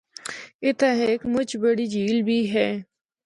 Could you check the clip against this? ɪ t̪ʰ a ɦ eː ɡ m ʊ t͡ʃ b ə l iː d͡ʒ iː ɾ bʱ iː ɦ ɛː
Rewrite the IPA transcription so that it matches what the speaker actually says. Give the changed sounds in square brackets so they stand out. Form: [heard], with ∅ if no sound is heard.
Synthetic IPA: ɪ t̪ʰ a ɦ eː [k] m ʊ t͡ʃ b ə [ɽ] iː d͡ʒ iː [l] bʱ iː ɦ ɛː